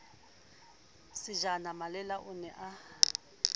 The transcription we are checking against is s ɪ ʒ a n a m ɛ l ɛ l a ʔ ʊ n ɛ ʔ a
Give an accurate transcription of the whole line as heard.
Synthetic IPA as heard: s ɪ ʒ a n a m a l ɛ l a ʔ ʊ n ɛ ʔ a